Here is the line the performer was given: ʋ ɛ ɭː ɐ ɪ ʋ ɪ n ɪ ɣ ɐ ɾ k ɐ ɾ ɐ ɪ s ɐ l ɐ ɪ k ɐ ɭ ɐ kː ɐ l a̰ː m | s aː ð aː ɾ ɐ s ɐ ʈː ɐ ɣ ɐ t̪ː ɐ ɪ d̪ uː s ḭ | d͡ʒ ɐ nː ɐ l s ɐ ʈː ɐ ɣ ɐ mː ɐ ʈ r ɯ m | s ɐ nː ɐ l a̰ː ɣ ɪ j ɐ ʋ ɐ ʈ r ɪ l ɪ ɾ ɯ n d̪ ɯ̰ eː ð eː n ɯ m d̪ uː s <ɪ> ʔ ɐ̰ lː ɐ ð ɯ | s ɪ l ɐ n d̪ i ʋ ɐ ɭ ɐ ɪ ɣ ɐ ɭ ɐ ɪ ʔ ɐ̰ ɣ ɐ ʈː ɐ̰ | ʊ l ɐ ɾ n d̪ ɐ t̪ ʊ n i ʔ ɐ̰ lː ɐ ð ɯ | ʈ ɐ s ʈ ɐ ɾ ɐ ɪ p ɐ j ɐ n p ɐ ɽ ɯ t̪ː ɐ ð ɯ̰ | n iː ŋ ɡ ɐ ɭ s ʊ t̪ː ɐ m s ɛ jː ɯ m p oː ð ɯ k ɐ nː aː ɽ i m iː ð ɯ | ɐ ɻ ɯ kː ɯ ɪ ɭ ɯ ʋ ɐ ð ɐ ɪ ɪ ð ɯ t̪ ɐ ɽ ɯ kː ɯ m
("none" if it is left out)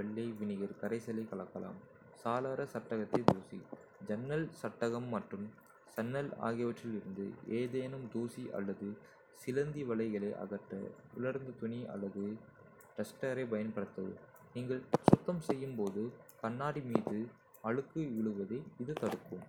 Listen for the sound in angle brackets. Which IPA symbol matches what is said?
i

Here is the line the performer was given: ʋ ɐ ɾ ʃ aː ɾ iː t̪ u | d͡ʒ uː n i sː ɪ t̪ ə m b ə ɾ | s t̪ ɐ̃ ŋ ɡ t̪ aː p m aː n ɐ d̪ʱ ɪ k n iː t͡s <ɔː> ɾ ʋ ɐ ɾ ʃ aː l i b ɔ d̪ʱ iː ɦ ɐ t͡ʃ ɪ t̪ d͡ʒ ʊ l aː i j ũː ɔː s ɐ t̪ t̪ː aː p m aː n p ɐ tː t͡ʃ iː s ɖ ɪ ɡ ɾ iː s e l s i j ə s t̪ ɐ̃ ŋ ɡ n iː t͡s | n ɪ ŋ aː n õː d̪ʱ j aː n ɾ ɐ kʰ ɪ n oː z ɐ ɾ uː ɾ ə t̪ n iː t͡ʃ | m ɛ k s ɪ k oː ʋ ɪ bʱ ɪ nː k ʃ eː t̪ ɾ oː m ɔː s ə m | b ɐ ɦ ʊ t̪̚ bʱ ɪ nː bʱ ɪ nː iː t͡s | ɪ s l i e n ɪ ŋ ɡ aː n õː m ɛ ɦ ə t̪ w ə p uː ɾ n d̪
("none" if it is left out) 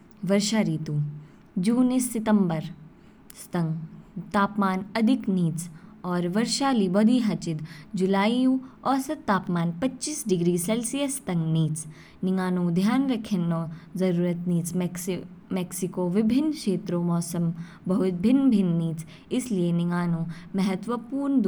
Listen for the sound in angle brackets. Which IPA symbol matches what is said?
ɔː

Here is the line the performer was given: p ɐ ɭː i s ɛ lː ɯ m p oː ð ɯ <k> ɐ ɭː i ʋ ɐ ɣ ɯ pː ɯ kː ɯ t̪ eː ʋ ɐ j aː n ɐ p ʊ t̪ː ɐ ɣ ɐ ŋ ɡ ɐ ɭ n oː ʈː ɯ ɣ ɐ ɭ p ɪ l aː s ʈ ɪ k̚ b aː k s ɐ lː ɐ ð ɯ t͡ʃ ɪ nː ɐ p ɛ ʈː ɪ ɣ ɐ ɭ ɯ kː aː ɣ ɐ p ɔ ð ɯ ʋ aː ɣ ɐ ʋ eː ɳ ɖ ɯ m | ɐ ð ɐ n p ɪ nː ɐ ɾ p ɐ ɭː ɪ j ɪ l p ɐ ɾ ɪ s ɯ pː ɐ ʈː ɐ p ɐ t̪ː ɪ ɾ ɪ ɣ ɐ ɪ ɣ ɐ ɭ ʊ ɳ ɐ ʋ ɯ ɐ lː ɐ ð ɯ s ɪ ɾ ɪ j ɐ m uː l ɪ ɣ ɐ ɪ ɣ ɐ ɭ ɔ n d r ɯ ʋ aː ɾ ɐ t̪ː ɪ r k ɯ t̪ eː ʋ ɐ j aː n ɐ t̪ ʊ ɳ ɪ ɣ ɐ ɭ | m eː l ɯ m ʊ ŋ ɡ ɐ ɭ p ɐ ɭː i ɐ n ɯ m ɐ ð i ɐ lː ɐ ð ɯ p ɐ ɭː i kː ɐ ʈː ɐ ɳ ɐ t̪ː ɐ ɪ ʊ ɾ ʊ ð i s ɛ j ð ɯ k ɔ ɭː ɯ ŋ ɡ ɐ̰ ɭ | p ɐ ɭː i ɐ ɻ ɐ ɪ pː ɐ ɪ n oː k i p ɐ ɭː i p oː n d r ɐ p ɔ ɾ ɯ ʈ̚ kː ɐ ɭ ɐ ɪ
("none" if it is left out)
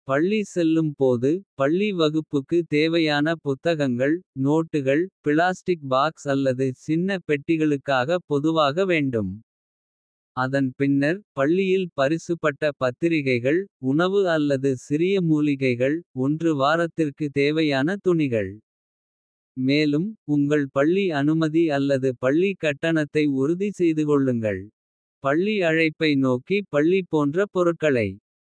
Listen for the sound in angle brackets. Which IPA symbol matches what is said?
p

